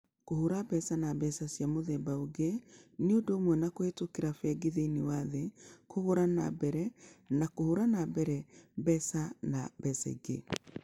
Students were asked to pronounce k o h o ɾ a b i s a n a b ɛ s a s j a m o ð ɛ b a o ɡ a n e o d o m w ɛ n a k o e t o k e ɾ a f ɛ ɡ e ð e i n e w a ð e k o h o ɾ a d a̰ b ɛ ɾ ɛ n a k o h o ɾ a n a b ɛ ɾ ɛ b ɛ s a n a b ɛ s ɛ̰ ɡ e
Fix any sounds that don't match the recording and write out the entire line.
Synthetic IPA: k o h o ɾ a b ɛ s a n a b ɛ s a s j a m o ð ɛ b a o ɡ e n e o d o m w ɛ n a k o e t o k e ɾ a f ɛ ɡ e ð e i n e w a ð e k o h o ɾ a n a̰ b ɛ ɾ ɛ n a k o h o ɾ a n a b ɛ ɾ ɛ b ɛ s a n a b ɛ s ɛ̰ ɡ e

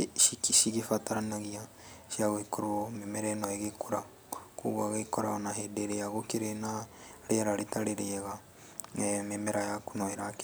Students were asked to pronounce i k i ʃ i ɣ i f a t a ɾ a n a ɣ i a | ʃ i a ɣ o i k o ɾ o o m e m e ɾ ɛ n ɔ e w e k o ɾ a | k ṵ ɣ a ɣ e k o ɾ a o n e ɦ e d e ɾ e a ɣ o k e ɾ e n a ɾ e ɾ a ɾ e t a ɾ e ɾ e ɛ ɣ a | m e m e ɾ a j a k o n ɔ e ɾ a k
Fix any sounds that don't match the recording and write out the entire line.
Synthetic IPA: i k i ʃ i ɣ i f a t a ɾ a n a ɣ i a | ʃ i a ɣ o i k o ɾ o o m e m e ɾ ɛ n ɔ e ɣ e k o ɾ a | k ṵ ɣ a ɣ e k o ɾ a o n a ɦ e d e ɾ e a ɣ o k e ɾ e n a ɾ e ɾ a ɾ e t a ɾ e ɾ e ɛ ɣ a | m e m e ɾ a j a k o n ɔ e ɾ a k

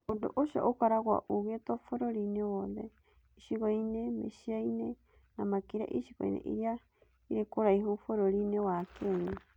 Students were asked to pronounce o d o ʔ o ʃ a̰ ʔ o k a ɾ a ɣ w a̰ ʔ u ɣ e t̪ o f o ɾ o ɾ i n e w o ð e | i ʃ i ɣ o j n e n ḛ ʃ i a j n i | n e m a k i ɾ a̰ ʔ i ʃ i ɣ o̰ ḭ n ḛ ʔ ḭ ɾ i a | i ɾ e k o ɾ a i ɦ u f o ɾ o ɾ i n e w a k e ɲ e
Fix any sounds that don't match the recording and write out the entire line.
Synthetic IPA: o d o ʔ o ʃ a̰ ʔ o k a ɾ a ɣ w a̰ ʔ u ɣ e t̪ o f o ɾ o ɾ i n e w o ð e | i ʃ i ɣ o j n e m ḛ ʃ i a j n e | n a m a k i ɾ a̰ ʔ i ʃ i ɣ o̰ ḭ n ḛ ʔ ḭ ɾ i a | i ɾ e k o ɾ a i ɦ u f o ɾ o ɾ i n e w a k e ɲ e

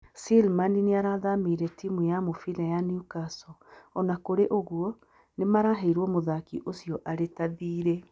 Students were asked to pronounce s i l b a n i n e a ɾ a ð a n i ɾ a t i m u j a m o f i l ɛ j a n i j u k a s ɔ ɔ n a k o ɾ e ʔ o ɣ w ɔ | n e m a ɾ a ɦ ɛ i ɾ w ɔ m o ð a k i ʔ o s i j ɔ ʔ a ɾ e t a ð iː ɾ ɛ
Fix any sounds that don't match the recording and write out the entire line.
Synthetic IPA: s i l m a n i n e a ɾ a ð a m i ɾ ɛ t i m u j a m o f i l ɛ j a n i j u k a s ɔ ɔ n a k o ɾ e ʔ o ɣ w ɔ | n e m a ɾ a ɦ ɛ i ɾ w ɔ m o ð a k i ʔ o s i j ɔ ʔ a ɾ e t a ð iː ɾ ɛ

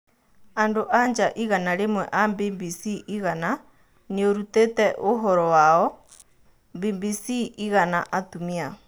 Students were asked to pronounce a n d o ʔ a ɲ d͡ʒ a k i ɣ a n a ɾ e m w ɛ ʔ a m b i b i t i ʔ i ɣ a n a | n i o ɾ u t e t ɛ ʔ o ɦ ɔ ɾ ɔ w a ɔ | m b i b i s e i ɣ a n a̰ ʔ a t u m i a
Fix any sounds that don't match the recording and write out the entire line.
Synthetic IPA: a n d o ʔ a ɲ d͡ʒ a ʔ i ɣ a n a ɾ e m w ɛ ʔ a m b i b i s i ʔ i ɣ a n a | n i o ɾ u t e t ɛ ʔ o ɦ ɔ ɾ ɔ w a ɔ | m b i b i s i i ɣ a n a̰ ʔ a t u m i a

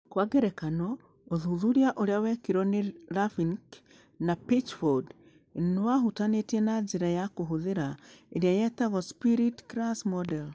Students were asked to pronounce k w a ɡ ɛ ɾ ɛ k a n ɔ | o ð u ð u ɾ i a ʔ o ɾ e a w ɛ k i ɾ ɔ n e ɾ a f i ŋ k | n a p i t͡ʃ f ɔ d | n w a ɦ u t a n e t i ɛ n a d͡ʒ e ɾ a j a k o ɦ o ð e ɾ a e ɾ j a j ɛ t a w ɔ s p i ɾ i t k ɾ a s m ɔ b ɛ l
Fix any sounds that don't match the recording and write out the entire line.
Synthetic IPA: k w a ɡ ɛ ɾ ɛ k a n ɔ | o ð u ð u ɾ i a ʔ o ɾ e a w ɛ k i ɾ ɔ n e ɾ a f i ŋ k | n a p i t͡ʃ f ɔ d | n w a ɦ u t a n e t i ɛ n a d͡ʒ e ɾ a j a k o ɦ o ð e ɾ a e ɾ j a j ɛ t a ɣ ɔ s p i ɾ i t k ɾ a s m ɔ d ɛ l

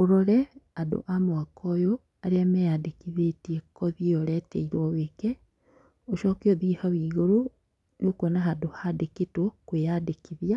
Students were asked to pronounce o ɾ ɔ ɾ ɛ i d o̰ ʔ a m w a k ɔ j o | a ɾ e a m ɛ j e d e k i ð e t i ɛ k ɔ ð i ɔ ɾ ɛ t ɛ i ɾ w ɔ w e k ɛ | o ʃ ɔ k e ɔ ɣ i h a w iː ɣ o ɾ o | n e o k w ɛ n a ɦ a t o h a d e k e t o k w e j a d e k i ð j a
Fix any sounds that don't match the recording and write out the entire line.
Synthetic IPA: o ɾ ɔ ɾ ɛ a d o̰ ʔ a m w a k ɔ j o | a ɾ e a m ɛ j a d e k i ð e t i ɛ k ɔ ð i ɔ ɾ ɛ t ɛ i ɾ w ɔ w e k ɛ | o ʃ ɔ k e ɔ ð i h a w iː ɣ o ɾ o | n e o k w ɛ n a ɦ a d o h a d e k e t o k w e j a d e k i ð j a

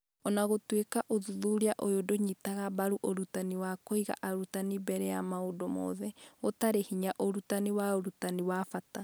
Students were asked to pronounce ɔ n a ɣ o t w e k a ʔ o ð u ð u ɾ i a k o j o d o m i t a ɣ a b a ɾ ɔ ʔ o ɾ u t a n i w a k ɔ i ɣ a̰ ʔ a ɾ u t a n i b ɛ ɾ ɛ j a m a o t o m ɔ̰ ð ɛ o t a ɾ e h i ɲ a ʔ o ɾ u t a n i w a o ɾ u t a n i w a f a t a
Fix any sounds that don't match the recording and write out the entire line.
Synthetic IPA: ɔ n a ɣ o t w e k a ʔ o ð u ð u ɾ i a ʔ o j o d o ɲ i t a ɣ a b a ɾ u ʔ o ɾ u t a n i w a k o i ɣ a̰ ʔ a ɾ u t a n i b ɛ ɾ ɛ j a m a o d o m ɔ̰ ð ɛ o t a ɾ e h i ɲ a ʔ o ɾ u t a n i w a o ɾ u t a n i w a f a t a

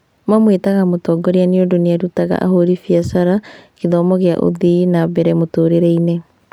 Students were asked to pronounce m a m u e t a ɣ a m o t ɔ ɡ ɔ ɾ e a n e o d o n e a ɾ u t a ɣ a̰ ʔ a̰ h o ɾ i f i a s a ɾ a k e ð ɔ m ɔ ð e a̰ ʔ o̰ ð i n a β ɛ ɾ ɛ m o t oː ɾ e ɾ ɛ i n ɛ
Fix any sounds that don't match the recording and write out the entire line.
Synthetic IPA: m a m w e t a ɣ a m o t ɔ ɡ ɔ ɾ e a n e o d o n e a ɾ u t a ɣ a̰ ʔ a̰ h o ɾ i f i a s a ɾ a k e ð ɔ m ɔ ɣ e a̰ ʔ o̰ ð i n a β ɛ ɾ ɛ m o t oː ɾ e ɾ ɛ i n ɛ

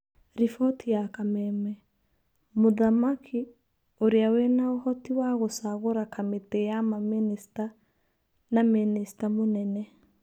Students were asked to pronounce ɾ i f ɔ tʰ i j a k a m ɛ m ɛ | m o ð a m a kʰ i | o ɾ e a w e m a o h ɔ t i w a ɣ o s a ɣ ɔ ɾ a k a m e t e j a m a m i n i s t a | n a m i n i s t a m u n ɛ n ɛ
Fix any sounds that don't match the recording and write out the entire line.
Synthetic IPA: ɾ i f ɔ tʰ i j a k a m ɛ m ɛ | m o ð a m a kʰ i | o ɾ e a w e n a o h ɔ t i w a ɣ o s a ɣ o ɾ a k a m e t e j a m a m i n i s t a | n a m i n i s t a m o n ɛ n ɛ

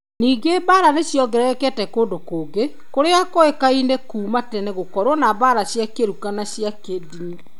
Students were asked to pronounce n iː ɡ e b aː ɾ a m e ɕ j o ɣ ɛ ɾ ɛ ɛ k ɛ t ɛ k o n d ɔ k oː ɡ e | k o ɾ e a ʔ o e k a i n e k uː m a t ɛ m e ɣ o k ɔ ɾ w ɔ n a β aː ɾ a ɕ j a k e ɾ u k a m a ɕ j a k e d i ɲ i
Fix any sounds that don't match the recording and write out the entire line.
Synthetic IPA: n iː ɡ e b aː ɾ a n e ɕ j ɔ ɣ ɛ ɾ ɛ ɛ k ɛ t ɛ k o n d o k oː ɡ e | k o ɾ e a k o e k a i n e k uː m a t ɛ n e ɣ o k ɔ ɾ w ɔ n a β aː ɾ a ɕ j a k e ɾ u k a n a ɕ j a k e d i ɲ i

